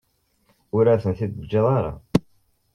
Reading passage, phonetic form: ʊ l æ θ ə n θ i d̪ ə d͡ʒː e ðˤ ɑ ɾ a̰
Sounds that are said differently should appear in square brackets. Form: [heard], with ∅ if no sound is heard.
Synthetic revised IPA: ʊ [ɾ] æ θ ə n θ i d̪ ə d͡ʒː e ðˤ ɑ ɾ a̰